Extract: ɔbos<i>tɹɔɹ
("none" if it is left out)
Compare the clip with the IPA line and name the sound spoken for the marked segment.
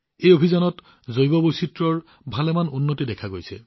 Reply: i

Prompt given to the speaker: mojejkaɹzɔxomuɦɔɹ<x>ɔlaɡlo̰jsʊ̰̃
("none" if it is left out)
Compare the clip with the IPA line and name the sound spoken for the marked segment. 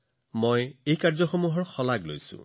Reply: x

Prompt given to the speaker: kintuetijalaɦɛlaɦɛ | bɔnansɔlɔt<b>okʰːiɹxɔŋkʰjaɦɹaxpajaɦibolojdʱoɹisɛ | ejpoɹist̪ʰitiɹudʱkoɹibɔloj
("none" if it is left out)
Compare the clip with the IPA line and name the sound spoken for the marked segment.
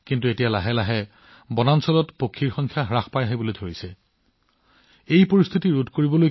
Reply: p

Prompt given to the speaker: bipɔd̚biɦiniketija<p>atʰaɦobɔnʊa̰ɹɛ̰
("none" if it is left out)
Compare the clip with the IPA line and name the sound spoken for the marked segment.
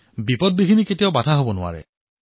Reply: b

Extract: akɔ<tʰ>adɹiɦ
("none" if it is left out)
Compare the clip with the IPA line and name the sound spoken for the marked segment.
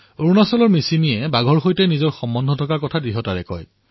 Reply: tʰ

